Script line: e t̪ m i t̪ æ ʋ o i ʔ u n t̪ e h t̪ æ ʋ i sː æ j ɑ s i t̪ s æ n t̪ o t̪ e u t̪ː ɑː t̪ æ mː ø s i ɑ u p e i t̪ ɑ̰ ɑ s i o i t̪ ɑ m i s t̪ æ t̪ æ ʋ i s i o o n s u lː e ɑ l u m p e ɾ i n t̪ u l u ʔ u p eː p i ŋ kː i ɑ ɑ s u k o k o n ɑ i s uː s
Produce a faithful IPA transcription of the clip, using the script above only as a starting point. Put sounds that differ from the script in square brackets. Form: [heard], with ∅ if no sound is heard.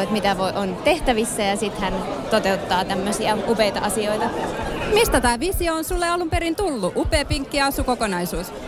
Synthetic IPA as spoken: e t̪ m i t̪ æ ʋ o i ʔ [o] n t̪ e h t̪ æ ʋ i sː æ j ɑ s i t̪ [h] æ n t̪ o t̪ e u t̪ː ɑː t̪ æ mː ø s i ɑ u p e i t̪ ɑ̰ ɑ s i o i t̪ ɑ m i s t̪ æ t̪ [æː] ʋ i s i o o n s u lː e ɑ l u m p e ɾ i n t̪ u [lː] u ʔ u p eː p i ŋ kː i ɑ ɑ s u k o k o n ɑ i s uː s